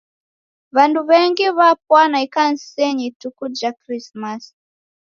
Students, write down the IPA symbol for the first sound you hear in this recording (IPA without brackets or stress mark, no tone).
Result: β